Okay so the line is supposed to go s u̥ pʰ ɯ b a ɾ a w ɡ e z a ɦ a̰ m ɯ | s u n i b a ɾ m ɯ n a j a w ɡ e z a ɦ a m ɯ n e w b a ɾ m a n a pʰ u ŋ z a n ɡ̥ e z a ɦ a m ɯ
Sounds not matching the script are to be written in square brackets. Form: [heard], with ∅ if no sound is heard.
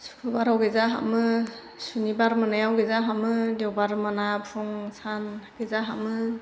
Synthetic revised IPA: s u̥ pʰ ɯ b a ɾ a w ɡ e z a ɦ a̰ m ɯ | s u n i b a ɾ m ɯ n a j a w ɡ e z a ɦ a m ɯ [d] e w b a ɾ m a n a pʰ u ŋ [s] a n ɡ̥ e z a ɦ a m ɯ

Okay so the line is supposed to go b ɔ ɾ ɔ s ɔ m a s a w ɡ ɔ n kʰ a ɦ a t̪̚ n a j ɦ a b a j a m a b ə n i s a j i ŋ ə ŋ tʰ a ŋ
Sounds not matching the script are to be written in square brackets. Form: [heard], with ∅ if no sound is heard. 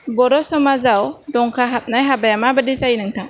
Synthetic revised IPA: b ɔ ɾ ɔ s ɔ m a [z] a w [d] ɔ [ŋ] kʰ a ɦ a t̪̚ n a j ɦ a b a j a m a b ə [d] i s a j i [n] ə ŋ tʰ a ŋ

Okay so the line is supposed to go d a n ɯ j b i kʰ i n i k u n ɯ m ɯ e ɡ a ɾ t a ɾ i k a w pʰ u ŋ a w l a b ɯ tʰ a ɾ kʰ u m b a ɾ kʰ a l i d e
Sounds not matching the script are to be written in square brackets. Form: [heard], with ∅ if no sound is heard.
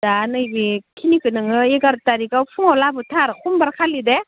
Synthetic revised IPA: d a n ɯ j b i kʰ i n i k [ɯ] n ɯ [ŋ] ɯ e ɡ a ɾ t a ɾ i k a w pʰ u ŋ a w l a b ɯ tʰ a ɾ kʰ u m b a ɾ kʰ a l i d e

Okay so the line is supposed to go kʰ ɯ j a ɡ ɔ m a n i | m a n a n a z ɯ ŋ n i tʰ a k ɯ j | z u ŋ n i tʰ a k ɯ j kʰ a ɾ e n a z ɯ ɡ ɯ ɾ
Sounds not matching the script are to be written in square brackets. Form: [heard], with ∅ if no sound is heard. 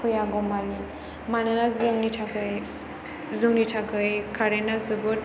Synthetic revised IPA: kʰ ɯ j a ɡ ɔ m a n i | m a n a n a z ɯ ŋ n i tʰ a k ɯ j | z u ŋ n i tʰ a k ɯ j kʰ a ɾ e n a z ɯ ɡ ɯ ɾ

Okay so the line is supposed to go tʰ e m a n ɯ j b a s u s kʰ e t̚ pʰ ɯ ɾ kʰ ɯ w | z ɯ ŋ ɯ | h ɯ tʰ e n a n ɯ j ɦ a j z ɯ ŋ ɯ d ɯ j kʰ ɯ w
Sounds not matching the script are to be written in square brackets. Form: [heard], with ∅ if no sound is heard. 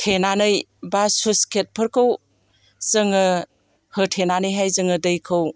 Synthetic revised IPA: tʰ e [n] a n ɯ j b a s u s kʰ e t̚ pʰ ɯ ɾ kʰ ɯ w | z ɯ ŋ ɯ | h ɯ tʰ e n a n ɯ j ɦ a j z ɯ ŋ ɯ d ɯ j kʰ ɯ w

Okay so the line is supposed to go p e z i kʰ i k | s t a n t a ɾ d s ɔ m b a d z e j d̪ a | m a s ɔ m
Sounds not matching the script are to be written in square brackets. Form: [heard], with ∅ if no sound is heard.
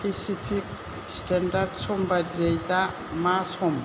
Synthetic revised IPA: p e [s] i [pʰ] i k | s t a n [d] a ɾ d s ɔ m b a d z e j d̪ a | m a s ɔ m

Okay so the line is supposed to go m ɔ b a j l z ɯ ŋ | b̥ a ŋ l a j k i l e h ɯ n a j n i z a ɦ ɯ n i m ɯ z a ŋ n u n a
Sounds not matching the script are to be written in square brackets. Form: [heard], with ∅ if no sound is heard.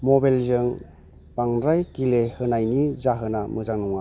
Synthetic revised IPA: m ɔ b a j l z ɯ ŋ | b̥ a ŋ [ɾ] a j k i l e h ɯ n a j n i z a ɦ ɯ n [a] m ɯ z a ŋ n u [ŋ] a

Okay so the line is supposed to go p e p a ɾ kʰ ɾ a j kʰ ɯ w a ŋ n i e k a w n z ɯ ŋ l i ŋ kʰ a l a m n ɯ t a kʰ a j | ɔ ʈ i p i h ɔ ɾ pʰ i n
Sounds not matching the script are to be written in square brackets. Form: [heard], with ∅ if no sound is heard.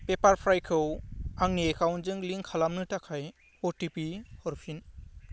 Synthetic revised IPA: p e p a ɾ [pʰ] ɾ a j kʰ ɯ w a ŋ n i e k a w n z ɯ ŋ l i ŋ kʰ a l a m n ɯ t a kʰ a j | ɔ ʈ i p i h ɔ ɾ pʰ i n

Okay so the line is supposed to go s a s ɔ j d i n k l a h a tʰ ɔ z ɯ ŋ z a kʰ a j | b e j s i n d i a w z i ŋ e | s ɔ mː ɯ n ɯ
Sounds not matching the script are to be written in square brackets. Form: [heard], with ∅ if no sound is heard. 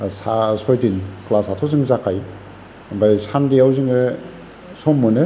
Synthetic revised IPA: s a s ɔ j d i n k l a [s] a tʰ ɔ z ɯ ŋ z a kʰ a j | b [a] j s [a] n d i a w z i ŋ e | s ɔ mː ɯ n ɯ

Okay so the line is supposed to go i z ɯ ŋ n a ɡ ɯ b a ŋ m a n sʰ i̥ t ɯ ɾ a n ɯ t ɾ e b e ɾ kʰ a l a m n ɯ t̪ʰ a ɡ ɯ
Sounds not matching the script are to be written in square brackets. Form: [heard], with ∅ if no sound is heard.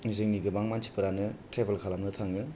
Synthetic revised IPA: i z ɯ ŋ n [i] ɡ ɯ b a ŋ m a n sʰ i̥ [p] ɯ ɾ a n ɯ t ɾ e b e [l] kʰ a l a m n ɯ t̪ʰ a [ŋ] ɯ

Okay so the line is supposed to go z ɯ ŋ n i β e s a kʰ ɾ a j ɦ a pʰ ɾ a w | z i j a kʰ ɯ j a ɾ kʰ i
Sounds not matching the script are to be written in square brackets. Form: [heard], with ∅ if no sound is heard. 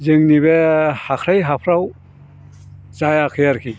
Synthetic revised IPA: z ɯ ŋ n i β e [h] a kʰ ɾ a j ɦ a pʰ ɾ a w | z [a] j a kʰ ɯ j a ɾ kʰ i

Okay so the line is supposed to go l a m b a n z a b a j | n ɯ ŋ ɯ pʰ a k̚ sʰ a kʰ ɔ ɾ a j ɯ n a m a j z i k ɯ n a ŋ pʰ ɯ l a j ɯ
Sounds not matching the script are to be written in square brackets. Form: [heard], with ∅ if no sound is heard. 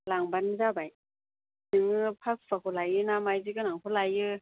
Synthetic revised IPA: l a [ŋ] b a n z a b a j | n ɯ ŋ ɯ pʰ a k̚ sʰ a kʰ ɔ [l] a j ɯ n a m a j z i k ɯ n a ŋ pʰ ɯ l a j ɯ

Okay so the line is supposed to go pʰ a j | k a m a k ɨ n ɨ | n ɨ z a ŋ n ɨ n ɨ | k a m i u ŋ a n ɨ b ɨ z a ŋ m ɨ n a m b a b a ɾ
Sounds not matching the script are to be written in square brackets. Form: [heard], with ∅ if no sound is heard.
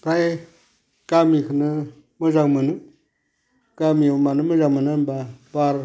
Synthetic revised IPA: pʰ a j | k a m [i] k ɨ n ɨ | [m] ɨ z a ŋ [m] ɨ n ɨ | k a m i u [m] a n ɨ [m] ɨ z a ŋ m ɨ n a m b a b a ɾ

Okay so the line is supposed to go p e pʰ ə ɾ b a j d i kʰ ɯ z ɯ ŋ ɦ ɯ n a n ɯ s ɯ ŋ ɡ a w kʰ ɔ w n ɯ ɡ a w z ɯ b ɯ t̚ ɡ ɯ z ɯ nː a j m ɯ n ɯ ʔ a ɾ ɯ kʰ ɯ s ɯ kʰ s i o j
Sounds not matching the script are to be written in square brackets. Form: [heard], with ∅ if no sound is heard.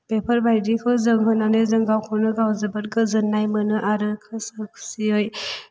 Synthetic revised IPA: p e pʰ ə ɾ b a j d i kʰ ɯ z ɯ ŋ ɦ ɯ n a n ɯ [z] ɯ ŋ ɡ a w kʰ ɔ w n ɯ ɡ a w z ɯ b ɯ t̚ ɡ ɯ z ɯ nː a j m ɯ n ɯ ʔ a ɾ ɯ kʰ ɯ s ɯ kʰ s i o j

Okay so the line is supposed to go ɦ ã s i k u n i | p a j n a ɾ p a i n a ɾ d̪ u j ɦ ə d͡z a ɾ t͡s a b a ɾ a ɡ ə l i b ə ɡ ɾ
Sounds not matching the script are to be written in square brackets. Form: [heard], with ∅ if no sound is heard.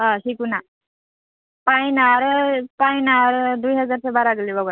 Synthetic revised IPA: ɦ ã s i k u n [a] | p a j n a ɾ p a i n a ɾ d̪ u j ɦ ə d͡z a ɾ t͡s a b a ɾ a ɡ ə l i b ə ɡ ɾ

